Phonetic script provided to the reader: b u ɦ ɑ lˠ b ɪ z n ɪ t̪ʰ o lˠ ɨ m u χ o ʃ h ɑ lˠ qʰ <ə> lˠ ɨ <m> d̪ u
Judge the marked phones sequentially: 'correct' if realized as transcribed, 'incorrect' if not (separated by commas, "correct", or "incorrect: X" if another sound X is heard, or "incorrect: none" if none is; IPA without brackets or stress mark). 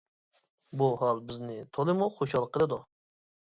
correct, incorrect: none